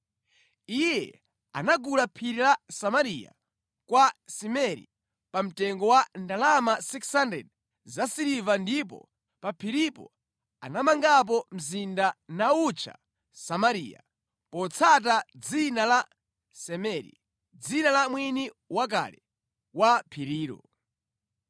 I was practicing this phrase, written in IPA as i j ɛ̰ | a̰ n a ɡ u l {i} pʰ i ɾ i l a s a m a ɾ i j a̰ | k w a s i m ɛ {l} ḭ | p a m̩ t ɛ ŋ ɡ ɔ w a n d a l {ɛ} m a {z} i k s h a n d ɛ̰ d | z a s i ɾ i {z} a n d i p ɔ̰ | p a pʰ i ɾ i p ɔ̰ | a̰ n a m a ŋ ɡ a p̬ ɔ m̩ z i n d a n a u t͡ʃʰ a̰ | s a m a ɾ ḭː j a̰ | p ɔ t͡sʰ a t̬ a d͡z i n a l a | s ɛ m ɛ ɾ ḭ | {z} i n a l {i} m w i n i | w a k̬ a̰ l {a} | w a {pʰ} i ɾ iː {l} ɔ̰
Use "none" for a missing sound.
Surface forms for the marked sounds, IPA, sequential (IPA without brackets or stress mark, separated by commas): a, ɾ, a, s, v, d͡z, a, ɛ, pʰ, ɾ